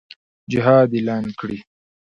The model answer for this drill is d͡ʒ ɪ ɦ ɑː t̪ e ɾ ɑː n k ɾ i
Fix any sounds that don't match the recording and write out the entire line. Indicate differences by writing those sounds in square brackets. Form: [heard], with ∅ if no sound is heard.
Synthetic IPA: d͡ʒ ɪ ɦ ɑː [d̪] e [l] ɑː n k [ɽ] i